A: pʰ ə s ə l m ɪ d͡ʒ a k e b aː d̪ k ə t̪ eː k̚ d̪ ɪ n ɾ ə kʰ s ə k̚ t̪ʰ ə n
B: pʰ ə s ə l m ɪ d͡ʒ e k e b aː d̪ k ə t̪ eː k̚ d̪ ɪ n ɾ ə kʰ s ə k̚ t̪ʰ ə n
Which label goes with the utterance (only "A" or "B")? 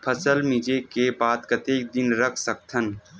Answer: B